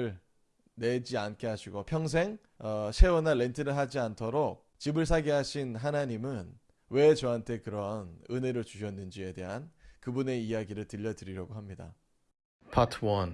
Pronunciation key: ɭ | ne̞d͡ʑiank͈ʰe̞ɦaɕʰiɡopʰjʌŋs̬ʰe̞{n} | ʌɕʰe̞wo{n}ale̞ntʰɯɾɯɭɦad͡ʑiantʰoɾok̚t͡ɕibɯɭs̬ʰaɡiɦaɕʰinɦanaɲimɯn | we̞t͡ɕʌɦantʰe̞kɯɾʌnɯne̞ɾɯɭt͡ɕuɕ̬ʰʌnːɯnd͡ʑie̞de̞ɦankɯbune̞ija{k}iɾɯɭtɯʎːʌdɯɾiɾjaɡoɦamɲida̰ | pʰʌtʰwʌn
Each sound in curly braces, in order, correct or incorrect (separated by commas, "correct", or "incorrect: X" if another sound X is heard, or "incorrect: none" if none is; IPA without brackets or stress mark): incorrect: ŋ, correct, incorrect: ɡ